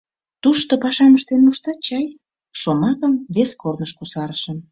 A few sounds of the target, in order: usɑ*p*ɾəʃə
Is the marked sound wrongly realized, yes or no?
yes